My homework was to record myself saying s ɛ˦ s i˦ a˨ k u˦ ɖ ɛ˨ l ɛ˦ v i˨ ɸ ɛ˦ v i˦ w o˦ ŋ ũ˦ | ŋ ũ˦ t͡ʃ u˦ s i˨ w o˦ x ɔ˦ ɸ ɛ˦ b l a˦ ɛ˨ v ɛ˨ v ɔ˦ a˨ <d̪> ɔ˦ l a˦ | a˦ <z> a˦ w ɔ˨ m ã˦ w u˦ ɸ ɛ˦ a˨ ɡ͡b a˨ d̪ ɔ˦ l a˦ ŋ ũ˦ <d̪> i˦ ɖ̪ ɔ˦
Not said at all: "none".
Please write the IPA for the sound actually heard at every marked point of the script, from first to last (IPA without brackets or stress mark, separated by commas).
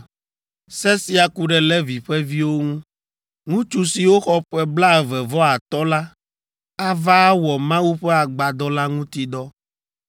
t̪, v, t̪